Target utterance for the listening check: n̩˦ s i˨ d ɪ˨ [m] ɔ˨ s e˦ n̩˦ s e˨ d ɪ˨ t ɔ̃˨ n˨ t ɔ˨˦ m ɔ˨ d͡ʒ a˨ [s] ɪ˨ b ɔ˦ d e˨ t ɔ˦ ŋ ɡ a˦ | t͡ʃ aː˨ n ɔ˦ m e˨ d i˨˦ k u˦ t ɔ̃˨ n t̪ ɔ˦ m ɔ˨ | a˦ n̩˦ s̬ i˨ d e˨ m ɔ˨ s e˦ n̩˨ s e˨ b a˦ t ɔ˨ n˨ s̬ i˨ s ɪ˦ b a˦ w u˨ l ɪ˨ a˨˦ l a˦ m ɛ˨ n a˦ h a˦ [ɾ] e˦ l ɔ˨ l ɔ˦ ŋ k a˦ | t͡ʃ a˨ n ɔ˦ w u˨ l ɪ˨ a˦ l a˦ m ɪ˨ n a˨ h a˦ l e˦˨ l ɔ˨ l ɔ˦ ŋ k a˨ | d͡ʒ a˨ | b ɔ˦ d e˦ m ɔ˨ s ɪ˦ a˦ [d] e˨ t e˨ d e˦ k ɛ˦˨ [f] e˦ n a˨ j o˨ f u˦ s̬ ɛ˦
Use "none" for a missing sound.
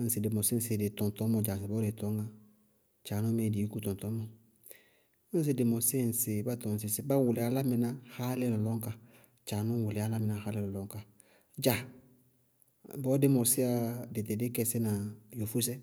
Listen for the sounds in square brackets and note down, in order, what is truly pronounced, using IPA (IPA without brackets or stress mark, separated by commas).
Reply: m, s, l, d, s